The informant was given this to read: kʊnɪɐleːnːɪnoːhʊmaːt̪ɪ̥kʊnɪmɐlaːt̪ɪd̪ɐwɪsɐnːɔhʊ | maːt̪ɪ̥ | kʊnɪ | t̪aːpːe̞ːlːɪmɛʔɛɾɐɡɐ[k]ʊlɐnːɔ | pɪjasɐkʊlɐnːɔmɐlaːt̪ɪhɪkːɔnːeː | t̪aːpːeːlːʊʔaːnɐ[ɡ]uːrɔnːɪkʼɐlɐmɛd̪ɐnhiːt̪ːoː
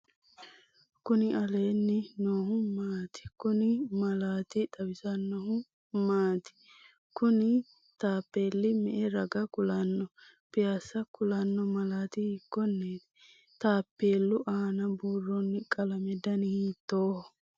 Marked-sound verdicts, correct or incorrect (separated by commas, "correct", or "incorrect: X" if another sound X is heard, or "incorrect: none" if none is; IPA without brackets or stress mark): correct, incorrect: b